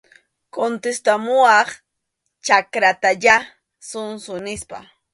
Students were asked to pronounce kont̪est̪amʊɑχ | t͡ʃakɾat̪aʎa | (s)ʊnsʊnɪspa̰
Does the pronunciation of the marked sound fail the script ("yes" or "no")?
no